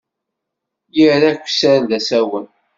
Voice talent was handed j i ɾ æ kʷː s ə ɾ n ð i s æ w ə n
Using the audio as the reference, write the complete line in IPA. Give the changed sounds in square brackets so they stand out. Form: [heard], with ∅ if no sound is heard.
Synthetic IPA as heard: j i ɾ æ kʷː s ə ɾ n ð [æ] s æ w ə n